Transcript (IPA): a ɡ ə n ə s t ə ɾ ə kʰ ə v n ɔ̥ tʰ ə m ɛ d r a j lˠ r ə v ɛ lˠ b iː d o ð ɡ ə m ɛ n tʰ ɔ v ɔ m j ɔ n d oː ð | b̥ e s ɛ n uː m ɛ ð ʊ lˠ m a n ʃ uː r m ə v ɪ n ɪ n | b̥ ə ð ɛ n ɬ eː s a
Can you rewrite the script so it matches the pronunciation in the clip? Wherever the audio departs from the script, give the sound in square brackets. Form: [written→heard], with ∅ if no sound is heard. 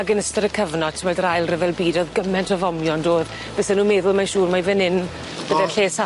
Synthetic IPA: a ɡ ə n ə s t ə ɾ ə kʰ ə v n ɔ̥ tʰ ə m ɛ d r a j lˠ r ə v ɛ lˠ b iː d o ð ɡ ə m ɛ n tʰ ɔ v ɔ m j ɔ n d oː ð | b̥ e s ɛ n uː m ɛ ð ʊ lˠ m a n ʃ uː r m [ə→a] v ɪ n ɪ n | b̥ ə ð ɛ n ɬ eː s a